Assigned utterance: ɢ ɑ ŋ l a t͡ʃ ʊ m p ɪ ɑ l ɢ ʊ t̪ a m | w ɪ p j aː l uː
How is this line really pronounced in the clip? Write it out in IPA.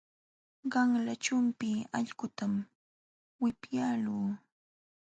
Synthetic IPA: ɢ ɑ ŋ l a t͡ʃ ʊ m p ɪ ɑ ʎ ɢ ʊ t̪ a m | w ɪ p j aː l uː